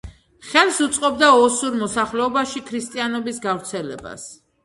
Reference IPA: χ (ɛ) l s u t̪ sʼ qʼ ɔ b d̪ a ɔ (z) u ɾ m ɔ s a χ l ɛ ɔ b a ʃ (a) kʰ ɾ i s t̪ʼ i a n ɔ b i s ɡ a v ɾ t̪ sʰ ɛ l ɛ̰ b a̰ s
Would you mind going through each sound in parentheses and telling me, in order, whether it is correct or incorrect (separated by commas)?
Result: correct, incorrect, incorrect